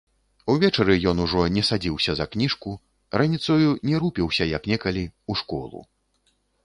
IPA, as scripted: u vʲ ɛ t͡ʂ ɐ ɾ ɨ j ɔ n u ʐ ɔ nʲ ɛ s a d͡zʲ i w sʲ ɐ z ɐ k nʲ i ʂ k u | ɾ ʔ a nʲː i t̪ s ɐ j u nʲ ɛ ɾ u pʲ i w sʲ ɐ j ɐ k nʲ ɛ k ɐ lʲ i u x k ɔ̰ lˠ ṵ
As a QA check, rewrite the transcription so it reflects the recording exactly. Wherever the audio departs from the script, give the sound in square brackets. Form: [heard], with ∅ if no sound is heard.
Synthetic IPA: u vʲ ɛ t͡ʂ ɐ ɾ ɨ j ɔ n u ʐ ɔ nʲ ɛ s a d͡zʲ i w sʲ ɐ z ɐ k nʲ i ʂ k u | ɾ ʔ a [nʲ] i t̪ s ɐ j u nʲ ɛ ɾ u pʲ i w sʲ ɐ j ɐ k nʲ ɛ k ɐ lʲ i u [ʂ] k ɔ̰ lˠ ṵ